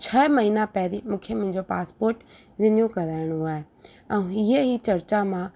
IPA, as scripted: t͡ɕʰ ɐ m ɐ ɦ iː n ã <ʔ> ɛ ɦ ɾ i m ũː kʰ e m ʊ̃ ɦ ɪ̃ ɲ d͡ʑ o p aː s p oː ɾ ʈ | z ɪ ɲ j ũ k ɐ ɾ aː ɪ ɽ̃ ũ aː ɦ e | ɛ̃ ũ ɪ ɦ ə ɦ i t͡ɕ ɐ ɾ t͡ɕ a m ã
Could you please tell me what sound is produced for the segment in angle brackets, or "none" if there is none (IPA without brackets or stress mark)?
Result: p